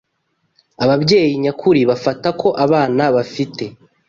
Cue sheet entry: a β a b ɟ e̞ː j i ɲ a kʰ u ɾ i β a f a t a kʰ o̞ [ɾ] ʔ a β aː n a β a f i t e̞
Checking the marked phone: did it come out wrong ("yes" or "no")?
yes